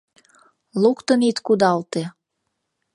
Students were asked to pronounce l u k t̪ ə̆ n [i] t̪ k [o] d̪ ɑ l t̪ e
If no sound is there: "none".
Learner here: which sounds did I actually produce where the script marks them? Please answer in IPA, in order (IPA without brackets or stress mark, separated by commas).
i, u